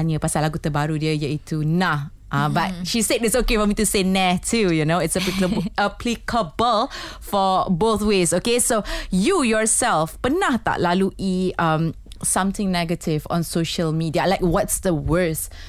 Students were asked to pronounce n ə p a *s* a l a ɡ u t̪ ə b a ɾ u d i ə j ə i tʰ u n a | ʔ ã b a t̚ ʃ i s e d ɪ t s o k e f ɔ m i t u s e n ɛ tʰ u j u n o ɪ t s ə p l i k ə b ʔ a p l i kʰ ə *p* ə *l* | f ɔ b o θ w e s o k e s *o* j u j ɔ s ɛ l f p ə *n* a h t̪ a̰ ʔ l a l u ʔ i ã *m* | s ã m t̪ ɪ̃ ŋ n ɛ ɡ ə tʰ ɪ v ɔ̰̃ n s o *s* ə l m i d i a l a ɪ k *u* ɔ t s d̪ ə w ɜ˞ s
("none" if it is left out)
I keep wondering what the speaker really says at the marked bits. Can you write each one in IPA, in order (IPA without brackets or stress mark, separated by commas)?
s, b, l, o, n, m, ʃ, w